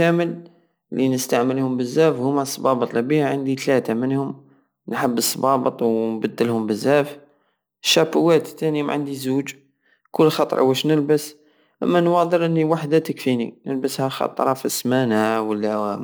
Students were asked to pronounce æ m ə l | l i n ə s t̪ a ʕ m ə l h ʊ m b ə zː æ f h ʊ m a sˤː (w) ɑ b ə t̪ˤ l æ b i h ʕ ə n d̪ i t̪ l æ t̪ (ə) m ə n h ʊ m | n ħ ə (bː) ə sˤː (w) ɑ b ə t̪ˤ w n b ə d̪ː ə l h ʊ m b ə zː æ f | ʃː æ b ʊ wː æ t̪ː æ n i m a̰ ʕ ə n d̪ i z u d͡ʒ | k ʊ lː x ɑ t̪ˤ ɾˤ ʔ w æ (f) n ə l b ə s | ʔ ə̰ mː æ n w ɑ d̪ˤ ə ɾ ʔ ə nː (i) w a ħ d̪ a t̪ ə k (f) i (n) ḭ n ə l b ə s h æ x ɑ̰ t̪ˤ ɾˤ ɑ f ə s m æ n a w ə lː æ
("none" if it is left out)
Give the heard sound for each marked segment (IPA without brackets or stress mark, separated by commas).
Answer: b, a, bː, b, ʃ, i, f, n